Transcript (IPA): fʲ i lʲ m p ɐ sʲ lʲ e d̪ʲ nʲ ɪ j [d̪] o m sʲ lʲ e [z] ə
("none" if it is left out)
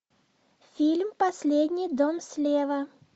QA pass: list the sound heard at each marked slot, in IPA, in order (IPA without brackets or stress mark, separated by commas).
d̪, v